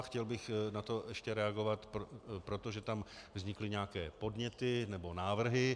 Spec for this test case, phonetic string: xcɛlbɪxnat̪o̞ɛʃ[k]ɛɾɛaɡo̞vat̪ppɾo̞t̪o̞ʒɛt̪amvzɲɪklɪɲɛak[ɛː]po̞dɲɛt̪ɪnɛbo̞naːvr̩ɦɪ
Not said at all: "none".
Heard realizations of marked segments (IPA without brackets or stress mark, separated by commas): c, ɛː